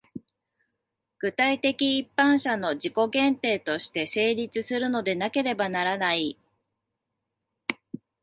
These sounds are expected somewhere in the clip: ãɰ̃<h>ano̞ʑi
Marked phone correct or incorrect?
incorrect